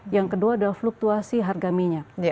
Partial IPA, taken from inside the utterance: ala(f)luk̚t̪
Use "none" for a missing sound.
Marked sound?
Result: f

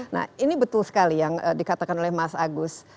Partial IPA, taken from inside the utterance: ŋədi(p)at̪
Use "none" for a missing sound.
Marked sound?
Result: k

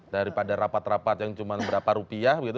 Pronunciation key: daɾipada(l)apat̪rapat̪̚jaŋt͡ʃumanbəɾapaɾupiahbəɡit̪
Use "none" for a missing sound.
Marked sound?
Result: ɾ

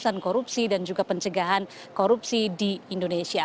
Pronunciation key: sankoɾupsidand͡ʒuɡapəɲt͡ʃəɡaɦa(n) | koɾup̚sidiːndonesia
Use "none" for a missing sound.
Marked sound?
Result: n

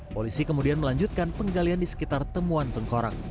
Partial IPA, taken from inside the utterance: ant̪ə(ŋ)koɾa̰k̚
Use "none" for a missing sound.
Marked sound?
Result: ŋ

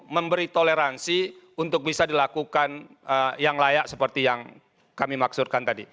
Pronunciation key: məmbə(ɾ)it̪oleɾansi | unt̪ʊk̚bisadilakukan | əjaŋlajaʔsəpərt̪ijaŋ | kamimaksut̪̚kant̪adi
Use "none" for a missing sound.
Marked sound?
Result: ɾ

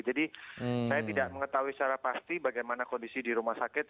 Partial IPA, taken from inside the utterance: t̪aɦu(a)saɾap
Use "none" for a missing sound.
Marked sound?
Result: i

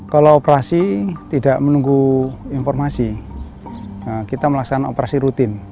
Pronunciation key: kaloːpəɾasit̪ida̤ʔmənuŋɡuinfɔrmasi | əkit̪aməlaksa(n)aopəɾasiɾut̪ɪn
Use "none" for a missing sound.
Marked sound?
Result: n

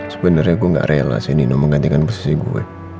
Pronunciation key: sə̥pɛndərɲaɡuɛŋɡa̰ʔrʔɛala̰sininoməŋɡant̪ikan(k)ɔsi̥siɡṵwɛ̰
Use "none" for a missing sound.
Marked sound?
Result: p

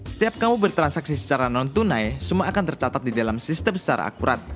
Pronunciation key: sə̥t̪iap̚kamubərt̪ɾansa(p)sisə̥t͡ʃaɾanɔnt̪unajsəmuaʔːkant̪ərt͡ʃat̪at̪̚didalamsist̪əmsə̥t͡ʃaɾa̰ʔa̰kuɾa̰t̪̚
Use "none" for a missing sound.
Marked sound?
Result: k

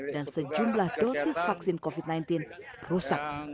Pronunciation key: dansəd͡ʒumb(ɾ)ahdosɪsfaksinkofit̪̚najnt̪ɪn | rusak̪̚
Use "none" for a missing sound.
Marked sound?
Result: l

